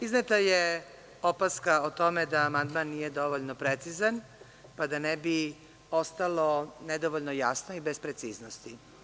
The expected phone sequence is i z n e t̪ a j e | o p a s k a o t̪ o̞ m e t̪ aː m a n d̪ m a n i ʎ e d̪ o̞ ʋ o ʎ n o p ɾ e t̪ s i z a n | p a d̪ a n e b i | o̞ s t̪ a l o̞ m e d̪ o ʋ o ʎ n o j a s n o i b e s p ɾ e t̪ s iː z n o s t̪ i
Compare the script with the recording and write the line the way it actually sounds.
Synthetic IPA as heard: i z n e t̪ a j e | o p a s k a o t̪ o̞ m e d̪ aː m a n d̪ m a nː i j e d̪ o̞ ʋ o ʎ n o p ɾ e t̪ s i z a n | p a d̪ a n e b i | o̞ s t̪ a l o̞ n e d̪ o ʋ o ʎ n o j a s n o i b e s p ɾ e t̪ s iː z n o s t̪ i

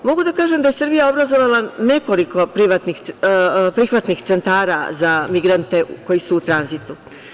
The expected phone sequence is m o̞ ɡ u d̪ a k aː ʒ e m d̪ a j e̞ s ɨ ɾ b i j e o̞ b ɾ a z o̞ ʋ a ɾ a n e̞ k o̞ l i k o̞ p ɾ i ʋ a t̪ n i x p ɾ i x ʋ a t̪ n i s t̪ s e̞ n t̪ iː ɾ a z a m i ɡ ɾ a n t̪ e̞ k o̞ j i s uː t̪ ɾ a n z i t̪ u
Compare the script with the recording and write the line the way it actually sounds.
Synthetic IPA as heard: m o̞ ɡ u d̪ a k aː ʒ e m d̪ a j e̞ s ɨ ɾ b i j a o̞ b ɾ a z o̞ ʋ a l a n e̞ k o̞ l i k o̞ p ɾ i ʋ a t̪ n i x p ɾ i x ʋ a t̪ n i x t̪ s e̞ n t̪ aː ɾ a z a m i ɡ ɾ a n t̪ e̞ k o̞ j i s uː t̪ ɾ a n z i t̪ u

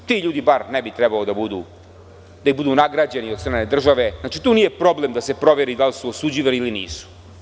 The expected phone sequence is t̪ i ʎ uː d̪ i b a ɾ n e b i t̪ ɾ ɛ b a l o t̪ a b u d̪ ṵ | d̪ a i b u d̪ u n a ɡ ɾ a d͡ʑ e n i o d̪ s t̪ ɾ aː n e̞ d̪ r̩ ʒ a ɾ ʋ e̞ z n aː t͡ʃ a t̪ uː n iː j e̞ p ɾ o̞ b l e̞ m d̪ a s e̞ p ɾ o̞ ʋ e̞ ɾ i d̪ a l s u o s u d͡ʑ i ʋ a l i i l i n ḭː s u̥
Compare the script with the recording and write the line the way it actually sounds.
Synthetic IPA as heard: t̪ i ʎ uː d̪ i b a ɾ n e b i t̪ ɾ ɛ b a l o d̪ a b u d̪ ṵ | d̪ a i b u d̪ u n a ɡ ɾ a d͡ʑ e n i o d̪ s t̪ ɾ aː n e̞ d̪ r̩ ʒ a ʋ e̞ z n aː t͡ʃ i t̪ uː n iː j e̞ p ɾ o̞ b l e̞ m d̪ a s e̞ p ɾ o̞ ʋ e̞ ɾ i d̪ a l s u o s u d͡ʑ i ʋ a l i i l i n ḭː s u̥

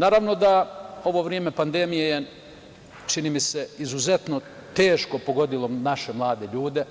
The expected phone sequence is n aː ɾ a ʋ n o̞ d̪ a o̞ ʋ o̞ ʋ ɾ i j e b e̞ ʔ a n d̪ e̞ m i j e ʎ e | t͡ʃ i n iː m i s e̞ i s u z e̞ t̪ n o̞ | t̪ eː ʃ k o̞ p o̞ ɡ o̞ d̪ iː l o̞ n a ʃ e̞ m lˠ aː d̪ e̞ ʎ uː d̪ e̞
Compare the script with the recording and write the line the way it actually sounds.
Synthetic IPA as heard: n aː ɾ a ʋ n o̞ d̪ a o̞ ʋ o̞ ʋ ɾ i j e m e̞ p a n d̪ e̞ m i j e j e | t͡ʃ i n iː m i s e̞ i z u z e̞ t̪ n o̞ | t̪ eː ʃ k o̞ p o̞ ɡ o̞ d̪ i l o̞ n a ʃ e̞ m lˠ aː d̪ e̞ ʎ uː d̪ e̞

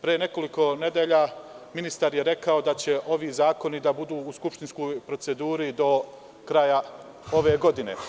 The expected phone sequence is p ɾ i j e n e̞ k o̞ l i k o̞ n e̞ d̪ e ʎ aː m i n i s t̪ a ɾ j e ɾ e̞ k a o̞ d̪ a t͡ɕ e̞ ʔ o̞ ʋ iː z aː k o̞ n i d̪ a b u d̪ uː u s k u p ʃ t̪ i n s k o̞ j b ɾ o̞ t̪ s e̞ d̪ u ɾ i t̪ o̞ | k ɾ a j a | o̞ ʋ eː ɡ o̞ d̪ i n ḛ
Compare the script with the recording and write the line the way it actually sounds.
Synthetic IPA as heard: p ɾ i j e n e̞ k o̞ l i k o̞ n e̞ d̪ e ʎ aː m i n i s t̪ a ɾ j e ɾ e̞ k a o̞ d̪ a t͡ɕ e̞ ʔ o̞ ʋ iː z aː k o̞ n i d̪ a b u d̪ uː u s k u p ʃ t̪ i n s k o̞ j p ɾ o̞ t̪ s e̞ d̪ uː ɾ i d̪ o̞ | k ɾ a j a | o̞ ʋ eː ɡ o̞ d̪ i n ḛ

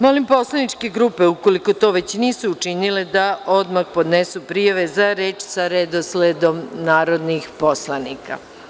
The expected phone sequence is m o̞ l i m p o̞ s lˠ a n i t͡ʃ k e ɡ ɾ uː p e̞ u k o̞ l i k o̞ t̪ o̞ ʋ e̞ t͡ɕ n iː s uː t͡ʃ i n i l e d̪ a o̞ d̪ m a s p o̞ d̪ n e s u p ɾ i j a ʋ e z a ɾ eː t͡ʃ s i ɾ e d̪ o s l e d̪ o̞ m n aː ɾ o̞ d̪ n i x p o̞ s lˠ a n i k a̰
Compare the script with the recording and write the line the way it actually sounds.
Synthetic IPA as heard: m o̞ l i m p o̞ s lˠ a n i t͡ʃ k e ɡ ɾ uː p e̞ u k o̞ l i k o̞ t̪ o̞ ʋ e̞ t͡ɕ n iː s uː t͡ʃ i n i l e d̪ a o̞ d̪ m a x p o̞ d̪ n e s u p ɾ i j a ʋ e z a ɾ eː t͡ʃ s a ɾ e d̪ o s l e d̪ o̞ m n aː ɾ o̞ d̪ n i x p o̞ s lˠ a n i k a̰

